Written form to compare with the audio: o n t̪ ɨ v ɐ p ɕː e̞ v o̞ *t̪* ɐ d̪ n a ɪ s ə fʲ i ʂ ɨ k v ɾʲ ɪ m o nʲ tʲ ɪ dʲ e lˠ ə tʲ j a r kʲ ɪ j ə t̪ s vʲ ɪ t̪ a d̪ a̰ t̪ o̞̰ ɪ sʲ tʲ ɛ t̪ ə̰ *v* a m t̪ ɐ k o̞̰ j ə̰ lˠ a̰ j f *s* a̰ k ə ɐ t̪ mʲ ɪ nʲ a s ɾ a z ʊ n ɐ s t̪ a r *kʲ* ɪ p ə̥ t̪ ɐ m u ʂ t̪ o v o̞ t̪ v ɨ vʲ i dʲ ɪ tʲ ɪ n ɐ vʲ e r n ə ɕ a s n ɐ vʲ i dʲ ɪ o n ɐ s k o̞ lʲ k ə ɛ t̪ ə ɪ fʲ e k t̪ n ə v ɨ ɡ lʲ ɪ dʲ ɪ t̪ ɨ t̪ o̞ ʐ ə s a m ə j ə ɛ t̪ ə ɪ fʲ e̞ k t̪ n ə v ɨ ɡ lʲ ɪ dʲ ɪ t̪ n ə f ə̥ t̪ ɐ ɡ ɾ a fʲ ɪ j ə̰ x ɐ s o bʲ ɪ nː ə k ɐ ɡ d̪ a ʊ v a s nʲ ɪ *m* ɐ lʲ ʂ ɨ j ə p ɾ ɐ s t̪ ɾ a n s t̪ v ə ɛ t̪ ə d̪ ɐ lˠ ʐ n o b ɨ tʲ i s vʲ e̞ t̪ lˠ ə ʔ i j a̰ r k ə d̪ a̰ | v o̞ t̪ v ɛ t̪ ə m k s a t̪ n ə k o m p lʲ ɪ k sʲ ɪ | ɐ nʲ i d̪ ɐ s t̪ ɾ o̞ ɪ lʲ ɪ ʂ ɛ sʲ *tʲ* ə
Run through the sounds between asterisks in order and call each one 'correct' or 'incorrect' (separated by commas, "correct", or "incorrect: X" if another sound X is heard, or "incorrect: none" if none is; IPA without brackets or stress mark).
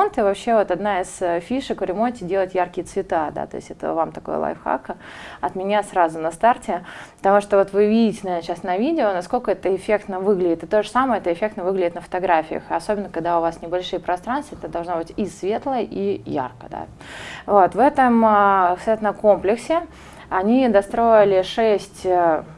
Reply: correct, correct, incorrect: x, incorrect: tʲ, incorrect: b, correct